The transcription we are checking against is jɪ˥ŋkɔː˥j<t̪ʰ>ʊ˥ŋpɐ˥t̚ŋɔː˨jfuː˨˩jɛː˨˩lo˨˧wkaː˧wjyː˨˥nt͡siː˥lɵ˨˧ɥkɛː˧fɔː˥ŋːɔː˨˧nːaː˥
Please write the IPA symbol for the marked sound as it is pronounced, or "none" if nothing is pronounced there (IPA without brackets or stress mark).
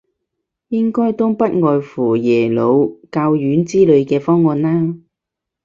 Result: t̪